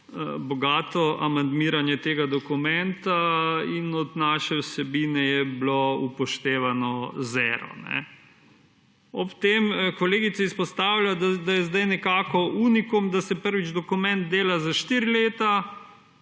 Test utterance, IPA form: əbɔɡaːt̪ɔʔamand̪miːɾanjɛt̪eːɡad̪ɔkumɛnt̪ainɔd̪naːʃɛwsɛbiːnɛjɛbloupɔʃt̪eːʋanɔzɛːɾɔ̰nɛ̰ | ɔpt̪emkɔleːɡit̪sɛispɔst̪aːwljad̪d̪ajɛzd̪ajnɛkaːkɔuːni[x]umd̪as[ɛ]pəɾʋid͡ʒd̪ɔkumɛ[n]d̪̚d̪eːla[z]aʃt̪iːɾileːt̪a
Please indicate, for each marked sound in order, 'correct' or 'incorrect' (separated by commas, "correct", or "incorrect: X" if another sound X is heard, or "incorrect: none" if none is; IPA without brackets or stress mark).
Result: incorrect: k, correct, correct, correct